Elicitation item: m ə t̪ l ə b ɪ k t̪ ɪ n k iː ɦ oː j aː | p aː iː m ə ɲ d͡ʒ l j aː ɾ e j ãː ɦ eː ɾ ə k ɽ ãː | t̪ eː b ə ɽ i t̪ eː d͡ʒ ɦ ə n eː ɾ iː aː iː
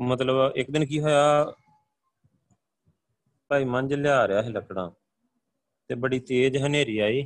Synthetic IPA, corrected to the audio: m ə t̪ l ə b ɪ k d̪ ɪ n k iː ɦ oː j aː | p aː iː m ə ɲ d͡ʒ l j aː ɾ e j aː ɦ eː l ə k ɽ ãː | t̪ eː b ə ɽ iː t̪ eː d͡ʒ ɦ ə n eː ɾ iː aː iː